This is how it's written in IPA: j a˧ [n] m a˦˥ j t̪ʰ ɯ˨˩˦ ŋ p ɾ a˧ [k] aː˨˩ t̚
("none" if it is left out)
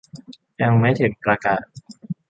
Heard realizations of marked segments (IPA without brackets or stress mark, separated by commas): ŋ, k